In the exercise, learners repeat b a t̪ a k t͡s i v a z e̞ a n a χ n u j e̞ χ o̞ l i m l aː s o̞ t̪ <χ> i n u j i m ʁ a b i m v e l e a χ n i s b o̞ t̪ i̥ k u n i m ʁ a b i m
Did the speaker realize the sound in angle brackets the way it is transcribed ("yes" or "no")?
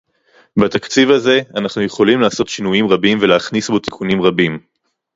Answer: no